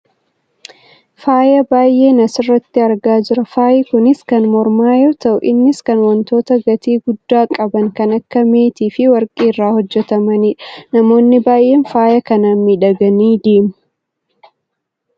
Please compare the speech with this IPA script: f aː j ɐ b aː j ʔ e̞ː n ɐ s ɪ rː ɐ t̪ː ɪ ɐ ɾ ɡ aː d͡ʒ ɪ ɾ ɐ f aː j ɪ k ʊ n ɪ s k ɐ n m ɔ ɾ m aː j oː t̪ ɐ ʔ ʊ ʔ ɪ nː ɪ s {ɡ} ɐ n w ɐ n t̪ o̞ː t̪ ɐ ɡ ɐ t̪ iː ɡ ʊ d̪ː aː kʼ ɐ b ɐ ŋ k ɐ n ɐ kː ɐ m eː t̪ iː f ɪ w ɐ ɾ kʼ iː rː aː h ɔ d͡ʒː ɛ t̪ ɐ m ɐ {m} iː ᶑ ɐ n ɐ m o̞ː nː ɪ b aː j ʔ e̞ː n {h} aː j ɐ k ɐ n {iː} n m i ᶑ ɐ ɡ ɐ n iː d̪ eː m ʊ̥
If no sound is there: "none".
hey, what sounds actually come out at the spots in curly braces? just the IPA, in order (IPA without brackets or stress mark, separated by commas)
k, n, f, aː